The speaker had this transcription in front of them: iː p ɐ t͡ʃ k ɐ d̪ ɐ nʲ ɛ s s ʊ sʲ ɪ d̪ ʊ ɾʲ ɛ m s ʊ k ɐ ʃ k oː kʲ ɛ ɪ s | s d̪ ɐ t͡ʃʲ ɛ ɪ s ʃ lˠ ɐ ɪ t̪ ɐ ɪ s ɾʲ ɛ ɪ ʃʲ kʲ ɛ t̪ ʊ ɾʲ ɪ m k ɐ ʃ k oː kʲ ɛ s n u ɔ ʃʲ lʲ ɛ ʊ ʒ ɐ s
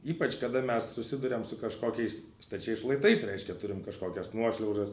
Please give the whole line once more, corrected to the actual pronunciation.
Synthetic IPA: iː p ɐ t͡ʃ k ɐ d̪ ɐ mʲ ɛ s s ʊ sʲ ɪ d̪ ʊ ɾʲ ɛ m s ʊ k ɐ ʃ k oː kʲ ɛ ɪ s | s t̪ ɐ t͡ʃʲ ɛ ɪ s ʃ lˠ ɐ ɪ t̪ ɐ ɪ s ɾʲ ɛ ɪ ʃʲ kʲ ɛ t̪ ʊ ɾʲ ɪ m k ɐ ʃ k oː kʲ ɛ s n u ɔ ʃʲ lʲ ɛ ʊ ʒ ɐ s